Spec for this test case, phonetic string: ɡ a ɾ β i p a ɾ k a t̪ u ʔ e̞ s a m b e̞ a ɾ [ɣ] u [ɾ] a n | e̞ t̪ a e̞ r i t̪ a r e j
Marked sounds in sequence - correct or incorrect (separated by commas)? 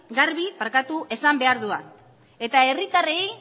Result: incorrect, incorrect